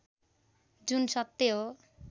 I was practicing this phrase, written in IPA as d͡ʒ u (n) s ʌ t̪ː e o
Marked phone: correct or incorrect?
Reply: correct